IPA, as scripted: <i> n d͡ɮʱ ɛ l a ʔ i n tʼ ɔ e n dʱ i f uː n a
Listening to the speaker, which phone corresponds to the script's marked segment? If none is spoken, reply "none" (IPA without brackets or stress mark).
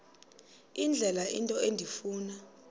i